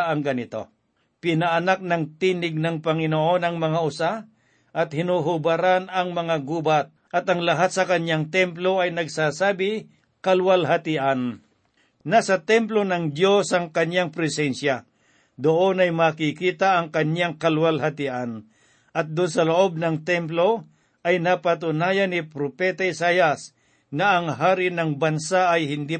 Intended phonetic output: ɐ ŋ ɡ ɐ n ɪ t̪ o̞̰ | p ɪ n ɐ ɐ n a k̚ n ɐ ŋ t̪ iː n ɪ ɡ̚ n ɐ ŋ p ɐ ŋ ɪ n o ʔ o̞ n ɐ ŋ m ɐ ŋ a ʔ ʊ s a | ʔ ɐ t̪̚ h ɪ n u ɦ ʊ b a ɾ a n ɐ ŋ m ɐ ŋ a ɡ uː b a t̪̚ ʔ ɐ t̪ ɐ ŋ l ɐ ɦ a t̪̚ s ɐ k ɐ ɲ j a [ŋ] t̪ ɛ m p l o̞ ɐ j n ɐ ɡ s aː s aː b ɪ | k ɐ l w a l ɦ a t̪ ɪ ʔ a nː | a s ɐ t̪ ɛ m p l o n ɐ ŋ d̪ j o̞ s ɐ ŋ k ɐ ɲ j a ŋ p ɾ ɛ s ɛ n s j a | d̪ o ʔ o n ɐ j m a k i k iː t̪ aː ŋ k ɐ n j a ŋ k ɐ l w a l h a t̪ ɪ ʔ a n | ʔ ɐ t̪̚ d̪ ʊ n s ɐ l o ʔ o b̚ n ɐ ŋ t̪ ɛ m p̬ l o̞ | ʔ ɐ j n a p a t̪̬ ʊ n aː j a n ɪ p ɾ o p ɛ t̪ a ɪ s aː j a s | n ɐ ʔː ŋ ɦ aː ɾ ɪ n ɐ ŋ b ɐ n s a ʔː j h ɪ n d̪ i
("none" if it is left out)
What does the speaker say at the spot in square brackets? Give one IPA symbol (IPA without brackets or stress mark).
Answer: ŋ